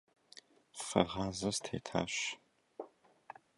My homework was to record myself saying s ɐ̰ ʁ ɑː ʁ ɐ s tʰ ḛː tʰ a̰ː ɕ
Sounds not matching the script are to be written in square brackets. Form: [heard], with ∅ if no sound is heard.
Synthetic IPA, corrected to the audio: [f] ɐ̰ ʁ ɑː [z] ɐ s tʰ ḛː tʰ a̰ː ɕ